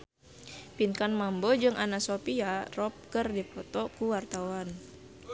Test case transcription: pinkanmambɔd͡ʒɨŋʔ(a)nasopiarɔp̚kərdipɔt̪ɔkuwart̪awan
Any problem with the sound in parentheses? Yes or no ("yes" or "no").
no